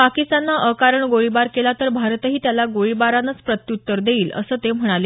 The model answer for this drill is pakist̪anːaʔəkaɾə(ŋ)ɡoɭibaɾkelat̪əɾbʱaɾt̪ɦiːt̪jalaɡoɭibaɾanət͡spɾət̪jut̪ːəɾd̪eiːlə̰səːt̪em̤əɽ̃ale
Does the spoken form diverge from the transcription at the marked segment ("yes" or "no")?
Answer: yes